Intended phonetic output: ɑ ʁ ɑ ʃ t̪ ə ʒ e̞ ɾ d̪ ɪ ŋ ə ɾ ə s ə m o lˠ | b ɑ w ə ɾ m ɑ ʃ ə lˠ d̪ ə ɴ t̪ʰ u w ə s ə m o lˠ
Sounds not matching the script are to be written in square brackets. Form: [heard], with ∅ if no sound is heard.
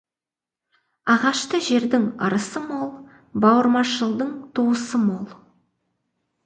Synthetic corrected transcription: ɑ ʁ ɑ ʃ t̪ ə ʒ e̞ ɾ d̪ ɪ ŋ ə ɾ ə s ə m o lˠ | b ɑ w ə ɾ m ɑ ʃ ə lˠ d̪ ə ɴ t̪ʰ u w ə s ə m o lˠ